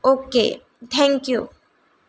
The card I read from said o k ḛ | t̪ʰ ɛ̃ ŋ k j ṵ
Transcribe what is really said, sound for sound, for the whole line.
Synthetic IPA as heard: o k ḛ | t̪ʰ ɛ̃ ŋ k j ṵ